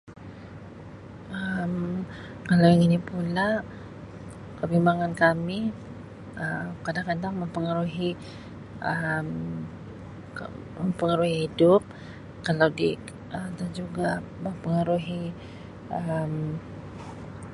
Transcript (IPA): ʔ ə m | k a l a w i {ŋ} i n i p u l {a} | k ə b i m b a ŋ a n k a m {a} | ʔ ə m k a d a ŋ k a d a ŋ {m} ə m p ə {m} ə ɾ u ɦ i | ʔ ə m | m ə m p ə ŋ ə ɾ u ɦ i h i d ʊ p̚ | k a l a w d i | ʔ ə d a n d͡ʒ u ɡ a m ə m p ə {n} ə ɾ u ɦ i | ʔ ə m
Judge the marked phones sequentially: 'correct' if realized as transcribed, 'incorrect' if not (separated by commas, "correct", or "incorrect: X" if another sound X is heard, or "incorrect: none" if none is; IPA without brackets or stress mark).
correct, correct, incorrect: i, correct, incorrect: ŋ, incorrect: ŋ